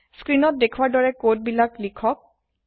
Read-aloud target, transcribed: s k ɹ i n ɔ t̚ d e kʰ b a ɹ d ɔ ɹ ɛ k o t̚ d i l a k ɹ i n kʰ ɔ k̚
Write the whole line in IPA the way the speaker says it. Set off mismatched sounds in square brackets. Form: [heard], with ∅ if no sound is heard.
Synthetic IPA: s k ɹ i n ɔ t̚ d e kʰ [w] a ɹ d ɔ ɹ ɛ k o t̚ [b] i l a k [l] i [∅] kʰ ɔ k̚